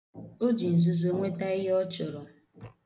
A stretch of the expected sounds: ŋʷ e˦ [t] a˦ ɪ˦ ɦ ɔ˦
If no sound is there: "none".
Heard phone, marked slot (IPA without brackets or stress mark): t